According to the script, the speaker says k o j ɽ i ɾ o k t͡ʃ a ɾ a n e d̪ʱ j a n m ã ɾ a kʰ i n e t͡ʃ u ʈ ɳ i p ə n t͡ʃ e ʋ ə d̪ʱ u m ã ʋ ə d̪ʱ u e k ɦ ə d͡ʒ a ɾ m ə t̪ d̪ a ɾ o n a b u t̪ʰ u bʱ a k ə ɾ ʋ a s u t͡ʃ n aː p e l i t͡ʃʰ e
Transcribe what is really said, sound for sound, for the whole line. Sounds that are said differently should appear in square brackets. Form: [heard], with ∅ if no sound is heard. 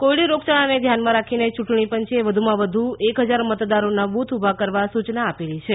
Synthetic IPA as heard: k o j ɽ i ɾ o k t͡ʃ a [ɭ] a n e d̪ʱ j a n m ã ɾ a kʰ i n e t͡ʃ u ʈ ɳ i p ə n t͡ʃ e ʋ ə d̪ʱ u m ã ʋ ə d̪ʱ u e k ɦ ə d͡ʒ a ɾ m ə t̪ d̪ a ɾ o n a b u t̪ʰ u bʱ a k ə ɾ ʋ a s u t͡ʃ n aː p e l i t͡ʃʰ e